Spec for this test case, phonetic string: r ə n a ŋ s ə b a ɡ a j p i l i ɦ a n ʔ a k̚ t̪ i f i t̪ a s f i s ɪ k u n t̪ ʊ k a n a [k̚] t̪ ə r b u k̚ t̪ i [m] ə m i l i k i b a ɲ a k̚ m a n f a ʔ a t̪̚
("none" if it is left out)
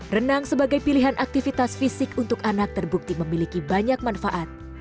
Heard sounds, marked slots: k̚, m

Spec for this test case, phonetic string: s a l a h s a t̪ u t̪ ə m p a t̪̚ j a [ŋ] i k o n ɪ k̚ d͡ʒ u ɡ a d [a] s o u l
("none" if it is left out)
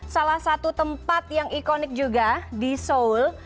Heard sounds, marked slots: ŋ, i

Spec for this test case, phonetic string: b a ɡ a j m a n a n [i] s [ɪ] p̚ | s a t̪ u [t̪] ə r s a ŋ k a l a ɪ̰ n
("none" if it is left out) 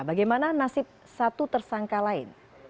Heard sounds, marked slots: a, ɪ, t̪

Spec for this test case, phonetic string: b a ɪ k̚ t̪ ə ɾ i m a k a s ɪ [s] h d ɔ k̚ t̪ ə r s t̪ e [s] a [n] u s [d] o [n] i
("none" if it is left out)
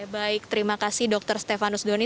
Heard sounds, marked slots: none, f, n, d, n

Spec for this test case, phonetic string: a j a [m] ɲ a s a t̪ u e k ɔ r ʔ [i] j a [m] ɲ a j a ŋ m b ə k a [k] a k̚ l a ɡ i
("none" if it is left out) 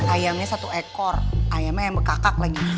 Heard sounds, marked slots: m, a, m, k

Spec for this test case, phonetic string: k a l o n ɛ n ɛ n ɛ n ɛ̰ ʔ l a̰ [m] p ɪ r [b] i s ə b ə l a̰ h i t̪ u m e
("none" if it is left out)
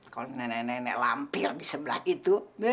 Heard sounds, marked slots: m, d

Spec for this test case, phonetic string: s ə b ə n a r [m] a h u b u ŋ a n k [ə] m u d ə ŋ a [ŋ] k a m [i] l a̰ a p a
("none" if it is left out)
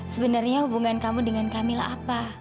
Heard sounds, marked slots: ɲ, a, n, i

